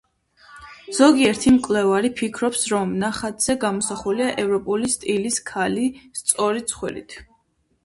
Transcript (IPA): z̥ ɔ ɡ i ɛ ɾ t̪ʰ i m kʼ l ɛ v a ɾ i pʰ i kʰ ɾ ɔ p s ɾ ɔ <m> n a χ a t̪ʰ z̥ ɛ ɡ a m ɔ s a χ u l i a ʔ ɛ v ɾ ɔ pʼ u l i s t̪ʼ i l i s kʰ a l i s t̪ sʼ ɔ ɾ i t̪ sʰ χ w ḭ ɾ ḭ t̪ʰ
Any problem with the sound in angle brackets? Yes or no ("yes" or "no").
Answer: no